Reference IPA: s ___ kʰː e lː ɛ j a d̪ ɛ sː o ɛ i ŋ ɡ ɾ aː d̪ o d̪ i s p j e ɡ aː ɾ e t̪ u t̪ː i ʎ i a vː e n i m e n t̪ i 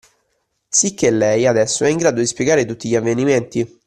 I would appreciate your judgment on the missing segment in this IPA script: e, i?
i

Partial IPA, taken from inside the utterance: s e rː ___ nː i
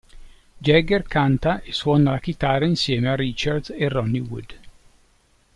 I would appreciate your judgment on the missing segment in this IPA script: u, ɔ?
ɔ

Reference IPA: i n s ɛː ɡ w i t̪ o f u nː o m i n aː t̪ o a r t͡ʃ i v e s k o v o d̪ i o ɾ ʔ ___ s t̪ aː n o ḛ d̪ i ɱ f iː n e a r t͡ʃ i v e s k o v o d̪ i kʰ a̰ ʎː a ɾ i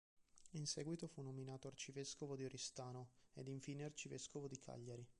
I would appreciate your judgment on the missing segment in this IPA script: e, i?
i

